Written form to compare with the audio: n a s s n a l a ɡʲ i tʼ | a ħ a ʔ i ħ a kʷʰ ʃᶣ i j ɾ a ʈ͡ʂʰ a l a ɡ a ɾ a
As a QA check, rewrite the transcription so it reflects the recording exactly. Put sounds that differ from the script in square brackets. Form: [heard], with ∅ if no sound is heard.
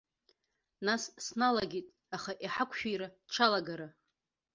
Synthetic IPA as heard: n a s s n a l a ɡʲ i tʼ | a [χ] a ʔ i ħ a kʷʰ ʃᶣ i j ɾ a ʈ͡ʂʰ a l a ɡ a ɾ a